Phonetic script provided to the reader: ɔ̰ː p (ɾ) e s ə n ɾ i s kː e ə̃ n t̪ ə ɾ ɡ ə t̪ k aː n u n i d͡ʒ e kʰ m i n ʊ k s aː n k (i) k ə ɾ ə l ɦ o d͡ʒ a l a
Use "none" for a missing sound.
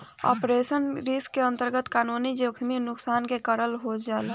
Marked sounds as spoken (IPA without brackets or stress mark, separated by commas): ɾ, e